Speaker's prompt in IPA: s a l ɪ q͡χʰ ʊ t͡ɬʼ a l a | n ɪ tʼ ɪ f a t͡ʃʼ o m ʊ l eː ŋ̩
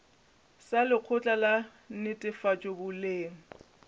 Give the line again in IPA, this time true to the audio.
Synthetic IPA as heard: s a l ɪ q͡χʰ ʊ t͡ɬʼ a l a | n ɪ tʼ ɪ f a t͡ʃʼ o b ʊ l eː ŋ̩